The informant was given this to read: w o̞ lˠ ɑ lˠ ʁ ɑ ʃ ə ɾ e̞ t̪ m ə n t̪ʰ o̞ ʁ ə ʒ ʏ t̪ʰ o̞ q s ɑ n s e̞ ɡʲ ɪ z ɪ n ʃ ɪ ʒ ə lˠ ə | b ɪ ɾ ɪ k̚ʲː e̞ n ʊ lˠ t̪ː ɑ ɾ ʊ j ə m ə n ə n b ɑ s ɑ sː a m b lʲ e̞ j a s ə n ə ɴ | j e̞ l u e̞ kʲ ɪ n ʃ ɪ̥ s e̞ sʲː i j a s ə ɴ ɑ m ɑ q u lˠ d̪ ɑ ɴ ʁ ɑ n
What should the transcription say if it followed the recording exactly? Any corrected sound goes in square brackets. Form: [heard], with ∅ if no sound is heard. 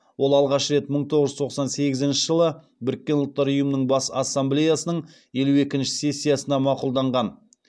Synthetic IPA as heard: w o̞ lˠ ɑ lˠ ʁ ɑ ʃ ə ɾ e̞ t̪ m ə [ɴ] t̪ʰ o̞ ʁ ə ʒ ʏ t̪ʰ o̞ q s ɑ n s e̞ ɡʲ ɪ z ɪ n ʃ ɪ ʒ ə lˠ ə | b ɪ ɾ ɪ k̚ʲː e̞ n ʊ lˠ t̪ː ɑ ɾ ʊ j ə m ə n ə [ɴ] b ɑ s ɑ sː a m b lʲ e̞ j a s ə n ə ɴ | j e̞ l u e̞ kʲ ɪ n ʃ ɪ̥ s e̞ sʲː i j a s ə [n] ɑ m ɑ q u lˠ d̪ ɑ ɴ ʁ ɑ n